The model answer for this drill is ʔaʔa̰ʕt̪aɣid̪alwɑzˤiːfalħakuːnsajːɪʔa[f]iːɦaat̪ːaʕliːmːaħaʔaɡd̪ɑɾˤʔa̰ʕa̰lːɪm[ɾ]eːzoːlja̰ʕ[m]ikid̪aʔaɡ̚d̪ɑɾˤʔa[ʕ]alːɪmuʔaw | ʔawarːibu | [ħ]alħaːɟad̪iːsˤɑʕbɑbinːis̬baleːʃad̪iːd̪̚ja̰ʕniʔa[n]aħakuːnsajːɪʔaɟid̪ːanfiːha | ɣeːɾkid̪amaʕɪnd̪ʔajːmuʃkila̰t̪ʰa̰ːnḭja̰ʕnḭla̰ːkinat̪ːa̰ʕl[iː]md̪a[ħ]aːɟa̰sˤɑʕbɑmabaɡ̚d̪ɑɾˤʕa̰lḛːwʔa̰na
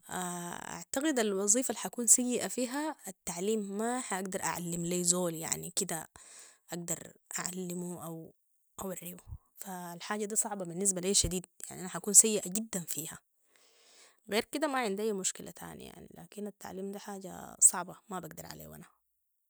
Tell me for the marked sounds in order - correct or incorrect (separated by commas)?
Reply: correct, incorrect, incorrect, correct, incorrect, correct, correct, correct